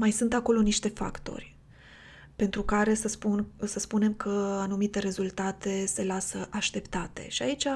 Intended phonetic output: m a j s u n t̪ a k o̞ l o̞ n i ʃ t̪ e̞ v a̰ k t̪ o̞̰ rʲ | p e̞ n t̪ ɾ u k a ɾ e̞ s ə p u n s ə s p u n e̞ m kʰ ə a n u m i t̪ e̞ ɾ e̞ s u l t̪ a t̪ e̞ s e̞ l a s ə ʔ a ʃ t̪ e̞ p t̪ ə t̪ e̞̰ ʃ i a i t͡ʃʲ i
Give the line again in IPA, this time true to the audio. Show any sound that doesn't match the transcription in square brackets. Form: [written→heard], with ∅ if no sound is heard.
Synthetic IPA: m a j s u n t̪ a k o̞ l o̞ n i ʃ t̪ e̞ [v→f] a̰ k t̪ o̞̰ rʲ | p e̞ n t̪ ɾ u k a ɾ e̞ s ə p u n s ə s p u n e̞ m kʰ ə a n u m i t̪ e̞ ɾ e̞ [s→z] u l t̪ a t̪ e̞ s e̞ l a s ə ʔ a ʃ t̪ e̞ p t̪ [ə→a] t̪ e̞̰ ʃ i a i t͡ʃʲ [i→a]